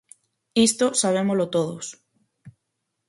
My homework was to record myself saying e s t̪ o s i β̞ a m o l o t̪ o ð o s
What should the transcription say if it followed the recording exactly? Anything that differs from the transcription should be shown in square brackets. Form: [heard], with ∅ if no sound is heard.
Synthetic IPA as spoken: [i] s t̪ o s [a] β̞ [e] m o l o t̪ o ð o s